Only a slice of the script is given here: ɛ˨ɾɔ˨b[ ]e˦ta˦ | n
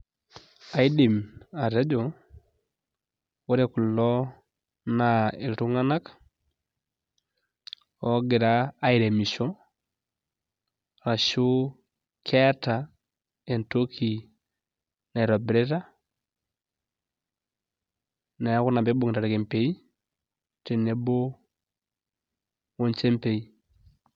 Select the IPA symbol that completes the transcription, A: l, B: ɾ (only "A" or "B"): B